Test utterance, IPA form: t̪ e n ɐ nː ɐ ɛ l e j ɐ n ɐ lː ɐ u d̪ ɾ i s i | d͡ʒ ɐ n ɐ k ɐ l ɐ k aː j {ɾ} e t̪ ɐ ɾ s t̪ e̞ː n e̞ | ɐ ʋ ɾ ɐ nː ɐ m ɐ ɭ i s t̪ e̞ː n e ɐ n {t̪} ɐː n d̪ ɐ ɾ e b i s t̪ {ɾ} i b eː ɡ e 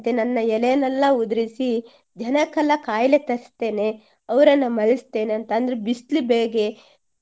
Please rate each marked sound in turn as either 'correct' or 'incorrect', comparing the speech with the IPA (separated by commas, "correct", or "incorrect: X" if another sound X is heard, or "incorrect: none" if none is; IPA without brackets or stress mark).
incorrect: l, correct, incorrect: l